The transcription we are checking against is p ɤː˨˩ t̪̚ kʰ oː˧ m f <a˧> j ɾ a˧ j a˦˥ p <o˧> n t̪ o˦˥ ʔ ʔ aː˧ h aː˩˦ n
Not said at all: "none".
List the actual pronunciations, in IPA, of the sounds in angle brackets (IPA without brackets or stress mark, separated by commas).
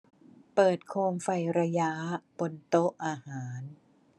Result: a˧, o˧